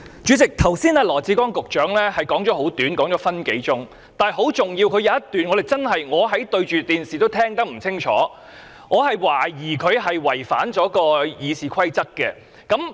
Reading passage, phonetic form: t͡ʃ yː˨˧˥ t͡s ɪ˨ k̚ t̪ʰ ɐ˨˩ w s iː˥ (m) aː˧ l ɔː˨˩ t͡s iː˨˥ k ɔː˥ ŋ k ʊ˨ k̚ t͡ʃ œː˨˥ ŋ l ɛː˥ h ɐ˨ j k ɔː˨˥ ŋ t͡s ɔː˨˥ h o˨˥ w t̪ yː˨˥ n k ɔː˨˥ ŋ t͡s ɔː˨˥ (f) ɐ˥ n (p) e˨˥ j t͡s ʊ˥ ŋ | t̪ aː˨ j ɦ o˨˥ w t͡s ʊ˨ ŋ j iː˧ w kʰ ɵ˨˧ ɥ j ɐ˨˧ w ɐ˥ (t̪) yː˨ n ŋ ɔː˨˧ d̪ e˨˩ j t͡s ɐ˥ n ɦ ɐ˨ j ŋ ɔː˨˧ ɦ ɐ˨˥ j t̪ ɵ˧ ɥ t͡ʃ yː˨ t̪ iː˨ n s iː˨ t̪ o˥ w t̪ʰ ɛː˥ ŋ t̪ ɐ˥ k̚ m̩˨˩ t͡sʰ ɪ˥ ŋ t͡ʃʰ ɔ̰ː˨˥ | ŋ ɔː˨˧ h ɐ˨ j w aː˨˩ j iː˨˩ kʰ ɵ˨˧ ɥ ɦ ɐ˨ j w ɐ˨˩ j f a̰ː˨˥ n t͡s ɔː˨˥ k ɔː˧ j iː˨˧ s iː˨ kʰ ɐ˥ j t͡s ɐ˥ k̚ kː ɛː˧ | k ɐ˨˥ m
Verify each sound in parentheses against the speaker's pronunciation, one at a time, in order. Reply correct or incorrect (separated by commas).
incorrect, correct, incorrect, correct